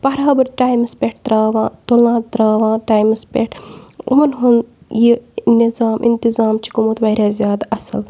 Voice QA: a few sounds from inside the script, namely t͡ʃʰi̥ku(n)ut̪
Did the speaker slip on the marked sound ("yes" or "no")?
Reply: yes